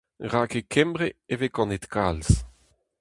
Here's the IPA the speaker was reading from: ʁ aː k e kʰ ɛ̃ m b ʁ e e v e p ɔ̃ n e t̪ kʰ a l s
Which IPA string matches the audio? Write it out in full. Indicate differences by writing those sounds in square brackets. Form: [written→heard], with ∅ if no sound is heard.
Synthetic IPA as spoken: ʁ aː k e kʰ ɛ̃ m b ʁ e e v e [p→k] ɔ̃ n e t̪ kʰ a l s